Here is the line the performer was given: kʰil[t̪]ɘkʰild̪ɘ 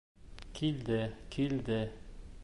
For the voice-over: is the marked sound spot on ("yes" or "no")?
no